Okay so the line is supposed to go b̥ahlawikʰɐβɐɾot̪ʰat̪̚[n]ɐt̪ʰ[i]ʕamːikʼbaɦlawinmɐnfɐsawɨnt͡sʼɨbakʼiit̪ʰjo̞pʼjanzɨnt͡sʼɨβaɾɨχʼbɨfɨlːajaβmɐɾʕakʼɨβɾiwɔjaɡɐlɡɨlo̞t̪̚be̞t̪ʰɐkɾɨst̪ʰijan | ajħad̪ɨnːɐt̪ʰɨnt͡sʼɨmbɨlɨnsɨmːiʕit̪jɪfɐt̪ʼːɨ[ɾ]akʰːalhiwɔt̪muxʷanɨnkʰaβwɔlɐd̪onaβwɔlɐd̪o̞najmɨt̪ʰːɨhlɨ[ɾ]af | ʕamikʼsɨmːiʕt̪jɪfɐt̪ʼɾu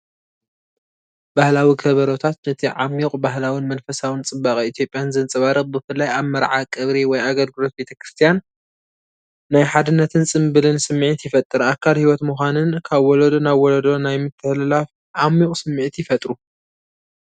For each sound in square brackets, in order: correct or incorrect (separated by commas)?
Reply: correct, correct, correct, incorrect